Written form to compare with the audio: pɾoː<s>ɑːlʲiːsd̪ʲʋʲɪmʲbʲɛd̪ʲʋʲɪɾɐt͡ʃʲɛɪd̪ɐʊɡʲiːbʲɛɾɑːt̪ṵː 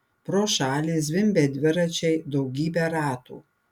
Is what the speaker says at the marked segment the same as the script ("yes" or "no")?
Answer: no